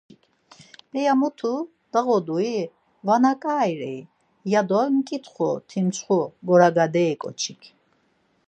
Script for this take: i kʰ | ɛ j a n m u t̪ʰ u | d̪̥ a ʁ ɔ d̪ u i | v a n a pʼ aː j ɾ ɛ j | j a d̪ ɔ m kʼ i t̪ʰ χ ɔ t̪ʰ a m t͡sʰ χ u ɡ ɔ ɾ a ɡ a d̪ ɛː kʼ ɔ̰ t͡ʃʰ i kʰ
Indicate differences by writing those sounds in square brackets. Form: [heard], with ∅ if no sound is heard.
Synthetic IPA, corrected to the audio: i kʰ | ɛ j a [∅] m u t̪ʰ u | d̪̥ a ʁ ɔ d̪ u i | v a n a [kʼ] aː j ɾ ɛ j | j a d̪ ɔ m kʼ i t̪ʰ χ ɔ t̪ʰ [i] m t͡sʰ χ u ɡ ɔ ɾ a ɡ a d̪ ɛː kʼ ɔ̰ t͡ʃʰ i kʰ

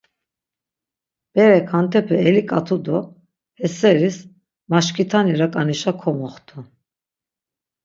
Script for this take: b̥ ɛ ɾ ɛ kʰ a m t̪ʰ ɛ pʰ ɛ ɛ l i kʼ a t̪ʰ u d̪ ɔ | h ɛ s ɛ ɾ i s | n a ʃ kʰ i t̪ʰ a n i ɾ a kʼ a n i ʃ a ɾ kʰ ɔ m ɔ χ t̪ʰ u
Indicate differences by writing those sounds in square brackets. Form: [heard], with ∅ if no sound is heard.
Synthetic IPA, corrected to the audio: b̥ ɛ ɾ ɛ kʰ a [n] t̪ʰ ɛ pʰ ɛ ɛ l i kʼ a t̪ʰ u d̪ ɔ | h ɛ s ɛ ɾ i s | [m] a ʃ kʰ i t̪ʰ a n i ɾ a kʼ a n i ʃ a [∅] kʰ ɔ m ɔ χ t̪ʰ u

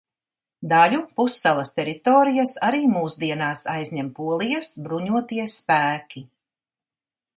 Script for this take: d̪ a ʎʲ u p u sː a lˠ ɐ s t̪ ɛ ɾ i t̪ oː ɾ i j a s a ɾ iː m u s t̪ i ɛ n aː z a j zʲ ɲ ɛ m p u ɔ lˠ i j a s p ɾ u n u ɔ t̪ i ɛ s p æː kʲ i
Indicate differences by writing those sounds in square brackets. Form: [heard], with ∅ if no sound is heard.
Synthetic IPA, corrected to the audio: d̪ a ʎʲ u p u sː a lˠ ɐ s t̪ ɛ ɾ i t̪ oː ɾ i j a s a ɾ iː m [uː] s [d̪] i ɛ n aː [s] a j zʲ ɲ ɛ m p u ɔ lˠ i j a s [b] ɾ u [ɲ] u ɔ t̪ i ɛ s p æː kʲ i

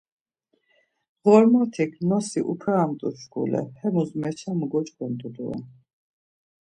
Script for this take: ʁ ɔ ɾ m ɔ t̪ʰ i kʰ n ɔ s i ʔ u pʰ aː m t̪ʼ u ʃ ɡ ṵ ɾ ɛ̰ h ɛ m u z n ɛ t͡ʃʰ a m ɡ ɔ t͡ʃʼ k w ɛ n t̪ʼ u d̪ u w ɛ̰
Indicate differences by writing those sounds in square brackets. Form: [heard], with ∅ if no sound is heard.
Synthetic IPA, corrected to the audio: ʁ ɔ ɾ m ɔ t̪ʰ i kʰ n ɔ s i ʔ u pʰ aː m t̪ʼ u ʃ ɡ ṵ [l] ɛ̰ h ɛ m u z [m] ɛ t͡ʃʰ a m ɡ ɔ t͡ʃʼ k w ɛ n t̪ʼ u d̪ u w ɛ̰

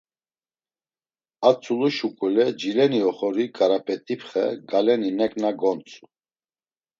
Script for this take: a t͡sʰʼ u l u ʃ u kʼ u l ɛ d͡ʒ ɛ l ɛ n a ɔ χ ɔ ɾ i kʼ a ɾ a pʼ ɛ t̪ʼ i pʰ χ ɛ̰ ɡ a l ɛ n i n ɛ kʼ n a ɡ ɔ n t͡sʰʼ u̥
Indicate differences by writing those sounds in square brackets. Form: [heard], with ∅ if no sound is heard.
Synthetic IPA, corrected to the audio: a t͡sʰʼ u l u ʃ u kʼ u l ɛ d͡ʒ [i] l ɛ n [i] ɔ χ ɔ ɾ i kʼ a ɾ a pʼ ɛ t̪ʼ i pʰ χ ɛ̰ ɡ a l ɛ n i n ɛ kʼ n a ɡ ɔ n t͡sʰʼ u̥

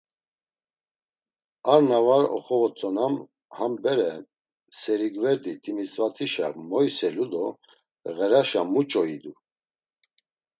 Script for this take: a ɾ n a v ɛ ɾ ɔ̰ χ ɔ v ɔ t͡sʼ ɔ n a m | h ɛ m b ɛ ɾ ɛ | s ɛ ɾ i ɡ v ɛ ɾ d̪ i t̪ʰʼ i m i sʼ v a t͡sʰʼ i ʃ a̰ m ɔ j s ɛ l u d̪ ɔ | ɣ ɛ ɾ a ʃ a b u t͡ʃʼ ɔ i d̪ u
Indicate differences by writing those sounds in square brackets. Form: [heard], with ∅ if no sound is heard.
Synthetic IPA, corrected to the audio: a ɾ n a v [a] ɾ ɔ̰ χ ɔ v ɔ t͡sʼ ɔ n a m | h [a] m b ɛ ɾ ɛ | s ɛ ɾ i ɡ v ɛ ɾ d̪ i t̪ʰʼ i m i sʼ v a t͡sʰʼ i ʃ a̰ m ɔ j s ɛ l u d̪ ɔ | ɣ ɛ ɾ a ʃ a [m] u t͡ʃʼ ɔ i d̪ u

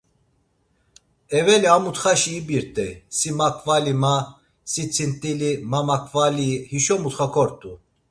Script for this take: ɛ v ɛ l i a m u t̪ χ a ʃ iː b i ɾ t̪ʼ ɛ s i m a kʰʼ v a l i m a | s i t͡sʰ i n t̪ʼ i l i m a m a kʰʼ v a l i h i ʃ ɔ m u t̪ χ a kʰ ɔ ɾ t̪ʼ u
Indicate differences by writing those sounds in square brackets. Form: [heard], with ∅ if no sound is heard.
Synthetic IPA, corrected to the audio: ɛ v ɛ l i a m u t̪ χ a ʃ iː b i ɾ t̪ʼ ɛ s i m a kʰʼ v a l i m a | s i t͡sʰ i n t̪ʼ i l i m a m a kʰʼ v a l i h i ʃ ɔ m u t̪ χ a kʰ ɔ ɾ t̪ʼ u

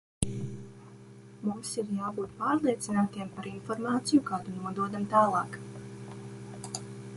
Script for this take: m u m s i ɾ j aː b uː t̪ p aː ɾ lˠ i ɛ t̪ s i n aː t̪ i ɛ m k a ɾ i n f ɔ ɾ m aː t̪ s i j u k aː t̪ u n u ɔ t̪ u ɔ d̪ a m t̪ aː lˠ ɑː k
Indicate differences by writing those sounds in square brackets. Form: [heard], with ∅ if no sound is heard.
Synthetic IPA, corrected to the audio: m u m s i ɾ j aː b uː t̪ p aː ɾ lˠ i ɛ t̪ s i n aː t̪ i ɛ m [p] a ɾ i n f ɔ ɾ m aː t̪ s i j u k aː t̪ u n u ɔ [d̪] u ɔ d̪ a m t̪ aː lˠ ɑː k

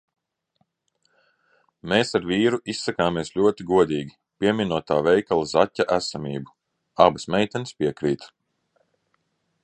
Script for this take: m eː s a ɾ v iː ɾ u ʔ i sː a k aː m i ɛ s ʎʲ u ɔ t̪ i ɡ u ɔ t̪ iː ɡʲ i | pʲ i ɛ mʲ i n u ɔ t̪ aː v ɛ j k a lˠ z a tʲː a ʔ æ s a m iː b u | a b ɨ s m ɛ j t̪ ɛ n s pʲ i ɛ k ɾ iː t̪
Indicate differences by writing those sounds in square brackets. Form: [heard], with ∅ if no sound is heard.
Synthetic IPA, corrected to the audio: m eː s a ɾ v iː ɾ u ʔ i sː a k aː m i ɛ s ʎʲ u ɔ t̪ i ɡ u ɔ [d̪] iː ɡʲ i | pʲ i ɛ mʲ i n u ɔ t̪ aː v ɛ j k a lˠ z a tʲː a ʔ æ s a m iː b u | a b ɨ s m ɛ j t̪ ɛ n s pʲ i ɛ k ɾ iː t̪

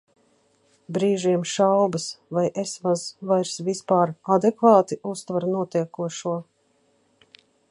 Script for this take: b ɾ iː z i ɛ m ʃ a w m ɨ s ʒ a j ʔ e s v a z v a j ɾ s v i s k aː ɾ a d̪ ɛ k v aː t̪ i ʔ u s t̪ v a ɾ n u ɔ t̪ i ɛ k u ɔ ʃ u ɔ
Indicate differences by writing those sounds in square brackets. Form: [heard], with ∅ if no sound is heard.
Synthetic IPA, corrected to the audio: b ɾ iː [ʒ] i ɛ m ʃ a w [b] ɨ s [v] a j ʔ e s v a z v a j ɾ s v i s [p] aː ɾ a d̪ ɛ k v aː t̪ i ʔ u s t̪ v a ɾ n u ɔ t̪ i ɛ k u ɔ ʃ u ɔ

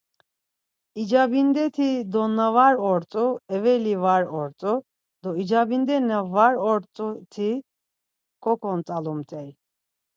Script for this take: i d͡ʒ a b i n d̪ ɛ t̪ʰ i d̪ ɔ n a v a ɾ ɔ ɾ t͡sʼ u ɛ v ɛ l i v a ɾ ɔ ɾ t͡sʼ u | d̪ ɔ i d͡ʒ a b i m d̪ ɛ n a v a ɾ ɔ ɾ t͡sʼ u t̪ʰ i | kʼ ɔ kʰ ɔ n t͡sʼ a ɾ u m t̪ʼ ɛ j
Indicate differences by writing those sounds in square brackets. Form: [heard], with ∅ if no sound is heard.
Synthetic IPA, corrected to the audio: i d͡ʒ a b i n d̪ ɛ t̪ʰ i d̪ ɔ n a v a ɾ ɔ ɾ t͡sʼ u ɛ v ɛ l i v a ɾ ɔ ɾ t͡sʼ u | d̪ ɔ i d͡ʒ a b i [n] d̪ ɛ n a v a ɾ ɔ ɾ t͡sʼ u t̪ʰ i | kʼ ɔ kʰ ɔ n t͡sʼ a [l] u m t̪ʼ ɛ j

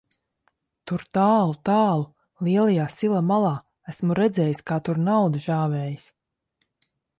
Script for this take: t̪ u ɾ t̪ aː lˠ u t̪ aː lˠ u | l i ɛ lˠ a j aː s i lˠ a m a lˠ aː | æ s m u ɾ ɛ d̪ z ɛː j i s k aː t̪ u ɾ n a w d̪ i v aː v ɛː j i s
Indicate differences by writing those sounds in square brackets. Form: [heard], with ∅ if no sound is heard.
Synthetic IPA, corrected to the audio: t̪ u ɾ t̪ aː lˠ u t̪ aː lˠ u | l i ɛ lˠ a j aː s i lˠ a m a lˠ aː | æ s m u ɾ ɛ d̪ z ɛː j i s k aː t̪ u ɾ n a w d̪ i [ʒ] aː v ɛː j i s

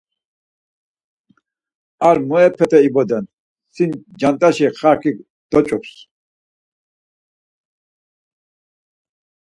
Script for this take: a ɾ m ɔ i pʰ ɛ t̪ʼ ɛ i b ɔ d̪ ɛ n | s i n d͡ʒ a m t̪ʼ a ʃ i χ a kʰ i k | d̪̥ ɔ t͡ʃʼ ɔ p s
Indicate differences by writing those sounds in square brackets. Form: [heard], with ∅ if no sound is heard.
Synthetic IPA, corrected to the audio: a ɾ m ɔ [ɛ] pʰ ɛ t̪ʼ ɛ i b ɔ d̪ ɛ n | s i n d͡ʒ a [n] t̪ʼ a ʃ i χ a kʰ i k | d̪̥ ɔ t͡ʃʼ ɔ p s

